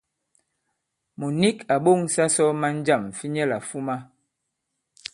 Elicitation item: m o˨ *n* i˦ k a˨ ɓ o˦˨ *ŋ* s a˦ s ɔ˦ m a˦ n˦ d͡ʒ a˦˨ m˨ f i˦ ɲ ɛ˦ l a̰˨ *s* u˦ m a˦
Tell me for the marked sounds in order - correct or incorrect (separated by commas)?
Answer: correct, correct, incorrect